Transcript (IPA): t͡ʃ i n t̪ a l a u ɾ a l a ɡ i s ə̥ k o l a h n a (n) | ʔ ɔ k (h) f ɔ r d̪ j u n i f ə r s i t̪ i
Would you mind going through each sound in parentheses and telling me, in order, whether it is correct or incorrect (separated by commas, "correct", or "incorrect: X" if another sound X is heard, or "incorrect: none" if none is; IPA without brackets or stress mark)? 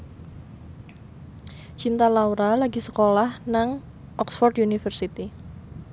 incorrect: ŋ, incorrect: s